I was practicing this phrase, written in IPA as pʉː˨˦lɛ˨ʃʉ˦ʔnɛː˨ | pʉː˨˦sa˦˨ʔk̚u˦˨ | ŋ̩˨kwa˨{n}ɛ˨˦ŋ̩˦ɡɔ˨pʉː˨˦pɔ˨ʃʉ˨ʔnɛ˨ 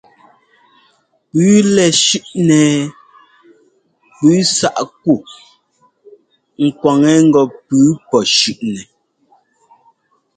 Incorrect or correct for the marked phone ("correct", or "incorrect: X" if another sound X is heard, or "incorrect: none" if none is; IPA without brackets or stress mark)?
incorrect: ŋ